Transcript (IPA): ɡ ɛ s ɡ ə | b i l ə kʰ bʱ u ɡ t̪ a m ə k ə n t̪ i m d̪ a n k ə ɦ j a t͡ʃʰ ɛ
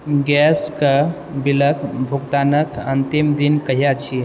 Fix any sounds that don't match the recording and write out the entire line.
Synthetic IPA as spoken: ɡ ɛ s k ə | b i l ə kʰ bʱ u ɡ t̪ a n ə k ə n t̪ i m d̪ i n k ə ɦ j a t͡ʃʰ i

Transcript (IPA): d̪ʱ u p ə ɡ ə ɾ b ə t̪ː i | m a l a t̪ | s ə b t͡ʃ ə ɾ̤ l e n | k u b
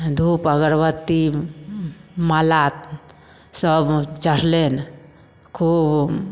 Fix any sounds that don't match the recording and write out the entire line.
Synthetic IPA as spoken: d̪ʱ u p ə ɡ ə ɾ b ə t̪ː i | m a l a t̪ | s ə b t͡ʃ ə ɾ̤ l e n | kʰ u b

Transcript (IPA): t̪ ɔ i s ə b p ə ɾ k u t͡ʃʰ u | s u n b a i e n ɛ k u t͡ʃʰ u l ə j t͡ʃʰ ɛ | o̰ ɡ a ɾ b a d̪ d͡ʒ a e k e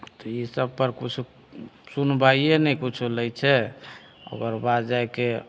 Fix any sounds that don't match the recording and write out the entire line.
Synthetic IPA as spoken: t̪ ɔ i s ə b p ə ɾ k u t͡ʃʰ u | s u n b a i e n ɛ k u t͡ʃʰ u l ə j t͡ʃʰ ɛ | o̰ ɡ ə ɾ b a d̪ d͡ʒ a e k e

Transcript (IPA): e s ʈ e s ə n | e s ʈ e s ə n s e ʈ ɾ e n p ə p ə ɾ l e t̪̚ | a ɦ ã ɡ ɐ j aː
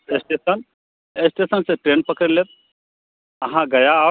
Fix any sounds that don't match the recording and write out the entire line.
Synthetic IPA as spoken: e s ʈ e s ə n | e s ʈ e s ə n s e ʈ ɾ e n p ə k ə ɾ l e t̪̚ | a ɦ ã ɡ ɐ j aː

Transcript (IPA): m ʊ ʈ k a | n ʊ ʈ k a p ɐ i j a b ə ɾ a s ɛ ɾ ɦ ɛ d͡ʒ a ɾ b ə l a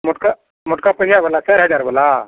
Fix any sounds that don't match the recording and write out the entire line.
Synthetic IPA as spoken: m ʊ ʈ k a | m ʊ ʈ k a p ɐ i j a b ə l a s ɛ ɾ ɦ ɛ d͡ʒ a ɾ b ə l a

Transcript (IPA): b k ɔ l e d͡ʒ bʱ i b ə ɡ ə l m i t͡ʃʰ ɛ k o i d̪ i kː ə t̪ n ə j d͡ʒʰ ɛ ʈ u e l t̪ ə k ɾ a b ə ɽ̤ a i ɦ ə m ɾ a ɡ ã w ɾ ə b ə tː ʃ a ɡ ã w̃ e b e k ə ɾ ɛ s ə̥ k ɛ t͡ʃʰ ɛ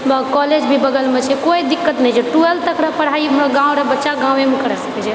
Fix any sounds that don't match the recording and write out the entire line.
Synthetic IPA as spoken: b k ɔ l e d͡ʒ bʱ i b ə ɡ ə l m e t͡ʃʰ ɛ k o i d̪ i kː ə t̪ n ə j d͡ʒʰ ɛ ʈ u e l t̪ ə k ɾ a p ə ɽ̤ a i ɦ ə m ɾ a ɡ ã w ɾ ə b ə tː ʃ a ɡ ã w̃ e m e k ə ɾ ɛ s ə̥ k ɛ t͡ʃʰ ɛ

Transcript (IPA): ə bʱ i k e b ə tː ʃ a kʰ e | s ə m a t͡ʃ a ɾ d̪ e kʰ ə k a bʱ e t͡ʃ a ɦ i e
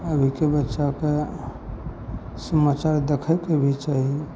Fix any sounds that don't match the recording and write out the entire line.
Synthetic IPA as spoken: ə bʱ i k e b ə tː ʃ a k e | s ə m a t͡ʃ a ɾ d̪ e kʰ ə k e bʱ i t͡ʃ a ɦ i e

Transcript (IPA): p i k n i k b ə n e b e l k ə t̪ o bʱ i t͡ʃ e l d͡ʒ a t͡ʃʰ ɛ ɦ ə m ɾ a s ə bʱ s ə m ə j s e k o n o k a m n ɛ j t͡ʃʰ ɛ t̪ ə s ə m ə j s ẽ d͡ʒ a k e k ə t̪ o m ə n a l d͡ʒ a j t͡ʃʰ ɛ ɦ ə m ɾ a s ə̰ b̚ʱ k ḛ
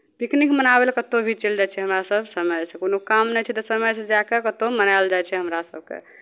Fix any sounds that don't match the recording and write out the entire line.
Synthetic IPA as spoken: p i k n i k m ə n a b e l k ə t̪ o bʱ i t͡ʃ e l d͡ʒ a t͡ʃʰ ɛ ɦ ə m ɾ a s ə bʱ s ə m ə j s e k o n o k a m n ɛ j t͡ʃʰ ɛ t̪ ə s ə m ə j s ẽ d͡ʒ a k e k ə t̪ o m ə n a l d͡ʒ a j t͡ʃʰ ɛ ɦ ə m ɾ a s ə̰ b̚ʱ k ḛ

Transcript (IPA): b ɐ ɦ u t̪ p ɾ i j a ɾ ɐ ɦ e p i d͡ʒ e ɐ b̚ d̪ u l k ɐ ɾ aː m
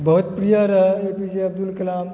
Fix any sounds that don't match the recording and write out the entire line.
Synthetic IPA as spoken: b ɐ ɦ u t̪ p ɾ i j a ɾ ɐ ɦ e p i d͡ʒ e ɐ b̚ d̪ u l k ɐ l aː m

